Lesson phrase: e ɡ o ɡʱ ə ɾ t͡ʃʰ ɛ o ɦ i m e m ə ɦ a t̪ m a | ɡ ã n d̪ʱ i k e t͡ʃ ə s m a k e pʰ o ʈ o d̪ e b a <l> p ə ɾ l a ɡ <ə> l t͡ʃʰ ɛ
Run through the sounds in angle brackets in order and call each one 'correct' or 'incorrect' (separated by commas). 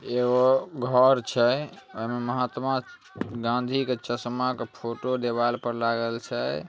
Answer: correct, correct